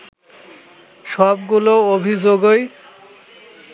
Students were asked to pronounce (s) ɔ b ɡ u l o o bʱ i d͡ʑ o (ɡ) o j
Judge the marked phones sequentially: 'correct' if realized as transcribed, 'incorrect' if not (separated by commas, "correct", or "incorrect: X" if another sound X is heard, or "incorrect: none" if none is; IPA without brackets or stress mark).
incorrect: ʃ, correct